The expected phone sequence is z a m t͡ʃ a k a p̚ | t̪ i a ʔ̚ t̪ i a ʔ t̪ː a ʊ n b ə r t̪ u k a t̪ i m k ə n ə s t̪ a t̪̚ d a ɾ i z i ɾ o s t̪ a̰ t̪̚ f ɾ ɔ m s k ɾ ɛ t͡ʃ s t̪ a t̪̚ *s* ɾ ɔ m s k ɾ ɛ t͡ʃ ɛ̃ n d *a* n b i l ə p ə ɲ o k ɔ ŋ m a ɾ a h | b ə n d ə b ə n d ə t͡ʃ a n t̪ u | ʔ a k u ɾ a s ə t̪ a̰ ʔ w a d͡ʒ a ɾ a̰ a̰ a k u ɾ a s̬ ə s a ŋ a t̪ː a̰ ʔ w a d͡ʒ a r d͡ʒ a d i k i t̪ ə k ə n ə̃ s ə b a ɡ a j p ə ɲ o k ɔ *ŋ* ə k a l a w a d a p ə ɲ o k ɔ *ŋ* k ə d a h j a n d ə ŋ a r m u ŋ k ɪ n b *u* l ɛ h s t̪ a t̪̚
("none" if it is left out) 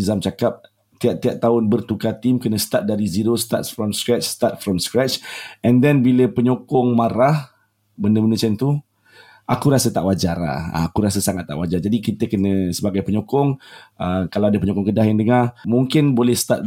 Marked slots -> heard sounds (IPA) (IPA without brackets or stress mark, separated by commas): f, ɛ, ŋ, ŋ, o